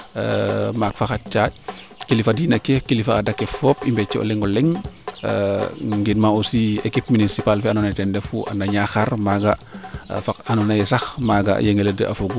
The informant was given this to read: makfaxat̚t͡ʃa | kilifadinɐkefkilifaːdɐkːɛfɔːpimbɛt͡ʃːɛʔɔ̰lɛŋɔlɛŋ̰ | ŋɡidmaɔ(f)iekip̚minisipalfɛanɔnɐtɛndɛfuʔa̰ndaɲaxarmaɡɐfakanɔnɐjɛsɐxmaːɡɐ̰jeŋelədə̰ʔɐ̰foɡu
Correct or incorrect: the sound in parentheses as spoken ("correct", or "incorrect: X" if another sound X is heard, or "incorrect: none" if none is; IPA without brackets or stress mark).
incorrect: s